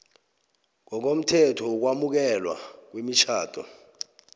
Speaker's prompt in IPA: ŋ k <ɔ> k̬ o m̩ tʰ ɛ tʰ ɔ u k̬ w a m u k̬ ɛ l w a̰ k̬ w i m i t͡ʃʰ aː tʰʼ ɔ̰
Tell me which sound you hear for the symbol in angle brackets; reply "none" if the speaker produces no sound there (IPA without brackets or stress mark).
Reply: ɔ